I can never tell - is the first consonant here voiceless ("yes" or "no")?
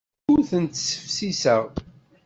no